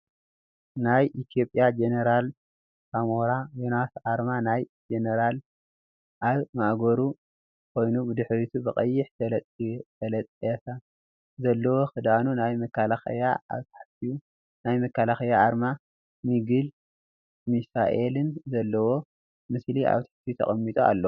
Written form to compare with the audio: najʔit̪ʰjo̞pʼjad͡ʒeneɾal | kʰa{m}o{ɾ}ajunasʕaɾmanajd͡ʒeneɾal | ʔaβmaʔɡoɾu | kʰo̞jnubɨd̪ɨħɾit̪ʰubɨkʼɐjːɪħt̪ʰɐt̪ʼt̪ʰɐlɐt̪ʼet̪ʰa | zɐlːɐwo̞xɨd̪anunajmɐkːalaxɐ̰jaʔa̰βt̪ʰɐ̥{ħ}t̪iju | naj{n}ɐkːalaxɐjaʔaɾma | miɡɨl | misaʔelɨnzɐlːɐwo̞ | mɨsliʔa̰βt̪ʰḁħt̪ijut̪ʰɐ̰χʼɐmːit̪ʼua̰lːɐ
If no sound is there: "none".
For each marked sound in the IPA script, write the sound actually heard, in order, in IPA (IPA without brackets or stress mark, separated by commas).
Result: m, ɾ, ħ, m